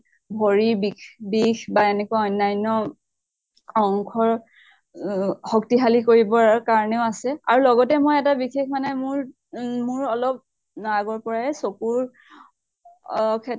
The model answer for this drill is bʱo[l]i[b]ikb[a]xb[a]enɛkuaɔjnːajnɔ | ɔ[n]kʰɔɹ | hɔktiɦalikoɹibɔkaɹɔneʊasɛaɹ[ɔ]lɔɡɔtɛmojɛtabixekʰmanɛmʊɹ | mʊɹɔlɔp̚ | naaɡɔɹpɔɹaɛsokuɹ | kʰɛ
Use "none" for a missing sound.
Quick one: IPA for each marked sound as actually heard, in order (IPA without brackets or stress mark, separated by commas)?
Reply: ɹ, b, i, a, ŋ, u